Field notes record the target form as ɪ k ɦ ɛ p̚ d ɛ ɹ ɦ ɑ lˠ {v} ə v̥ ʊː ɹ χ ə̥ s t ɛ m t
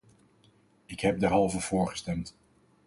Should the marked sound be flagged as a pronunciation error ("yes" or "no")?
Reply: no